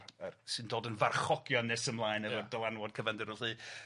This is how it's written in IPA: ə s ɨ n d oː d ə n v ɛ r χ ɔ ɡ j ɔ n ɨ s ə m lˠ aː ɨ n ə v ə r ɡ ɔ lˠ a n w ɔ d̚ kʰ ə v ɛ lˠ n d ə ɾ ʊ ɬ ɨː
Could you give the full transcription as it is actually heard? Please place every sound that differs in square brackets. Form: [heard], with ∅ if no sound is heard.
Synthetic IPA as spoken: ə s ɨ n d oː d ə n v [a] r χ ɔ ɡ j ɔ n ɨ s ə m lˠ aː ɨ n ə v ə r [d] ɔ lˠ a n w ɔ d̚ kʰ ə v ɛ [∅] n d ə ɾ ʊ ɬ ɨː